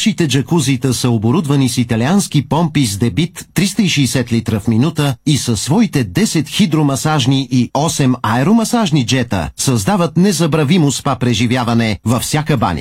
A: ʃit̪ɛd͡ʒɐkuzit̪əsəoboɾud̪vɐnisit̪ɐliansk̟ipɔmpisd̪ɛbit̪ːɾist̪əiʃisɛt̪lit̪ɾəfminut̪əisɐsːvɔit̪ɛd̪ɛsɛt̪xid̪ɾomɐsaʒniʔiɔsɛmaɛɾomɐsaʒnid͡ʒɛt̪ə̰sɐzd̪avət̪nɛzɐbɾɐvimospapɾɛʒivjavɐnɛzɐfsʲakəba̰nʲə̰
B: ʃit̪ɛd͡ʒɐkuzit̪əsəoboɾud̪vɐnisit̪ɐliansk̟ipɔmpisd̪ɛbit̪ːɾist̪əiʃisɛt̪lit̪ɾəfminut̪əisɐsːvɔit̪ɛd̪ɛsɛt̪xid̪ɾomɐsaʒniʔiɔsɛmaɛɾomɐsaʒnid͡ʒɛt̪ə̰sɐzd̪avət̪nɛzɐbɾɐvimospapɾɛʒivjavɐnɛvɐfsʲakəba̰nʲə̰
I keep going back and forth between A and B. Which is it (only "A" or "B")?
B